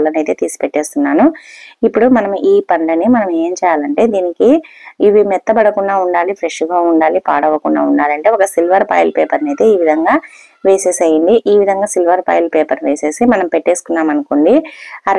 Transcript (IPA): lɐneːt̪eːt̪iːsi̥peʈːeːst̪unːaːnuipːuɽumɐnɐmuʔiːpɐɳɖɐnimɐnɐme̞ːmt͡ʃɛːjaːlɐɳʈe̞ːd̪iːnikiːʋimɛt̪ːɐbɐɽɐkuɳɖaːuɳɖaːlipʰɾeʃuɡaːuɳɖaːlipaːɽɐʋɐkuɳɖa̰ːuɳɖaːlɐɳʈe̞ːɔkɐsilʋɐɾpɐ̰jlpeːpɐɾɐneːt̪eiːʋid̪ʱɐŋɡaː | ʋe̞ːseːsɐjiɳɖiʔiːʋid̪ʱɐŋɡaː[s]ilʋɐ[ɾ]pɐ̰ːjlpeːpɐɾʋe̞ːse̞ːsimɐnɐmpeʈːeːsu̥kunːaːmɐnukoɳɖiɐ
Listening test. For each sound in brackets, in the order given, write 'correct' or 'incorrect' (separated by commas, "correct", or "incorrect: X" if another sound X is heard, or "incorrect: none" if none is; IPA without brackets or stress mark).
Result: correct, correct